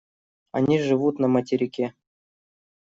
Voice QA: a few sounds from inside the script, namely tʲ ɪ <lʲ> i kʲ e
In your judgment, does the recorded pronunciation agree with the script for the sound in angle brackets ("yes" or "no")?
no